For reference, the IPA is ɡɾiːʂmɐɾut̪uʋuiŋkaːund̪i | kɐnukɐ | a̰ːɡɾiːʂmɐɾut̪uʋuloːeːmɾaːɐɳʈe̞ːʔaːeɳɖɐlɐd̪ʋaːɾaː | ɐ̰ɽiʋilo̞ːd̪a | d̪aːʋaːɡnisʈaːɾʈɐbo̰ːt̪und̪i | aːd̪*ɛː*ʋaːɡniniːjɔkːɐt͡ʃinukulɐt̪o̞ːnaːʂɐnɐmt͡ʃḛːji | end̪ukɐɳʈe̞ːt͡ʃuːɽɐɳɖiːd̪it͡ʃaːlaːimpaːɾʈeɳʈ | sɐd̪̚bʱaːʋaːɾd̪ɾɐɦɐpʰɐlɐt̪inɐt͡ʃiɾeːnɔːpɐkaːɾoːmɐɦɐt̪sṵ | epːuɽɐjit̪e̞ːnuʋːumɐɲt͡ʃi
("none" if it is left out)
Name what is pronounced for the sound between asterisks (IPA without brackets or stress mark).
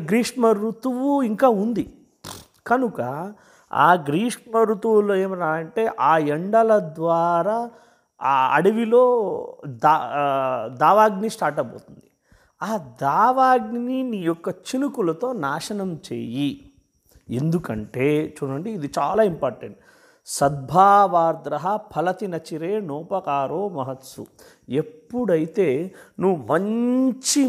aː